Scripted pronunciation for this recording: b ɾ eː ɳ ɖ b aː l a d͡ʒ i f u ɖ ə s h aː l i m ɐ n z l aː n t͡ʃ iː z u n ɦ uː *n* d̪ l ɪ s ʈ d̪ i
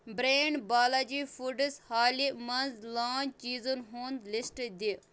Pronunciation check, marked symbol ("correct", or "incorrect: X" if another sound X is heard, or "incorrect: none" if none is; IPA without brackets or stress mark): correct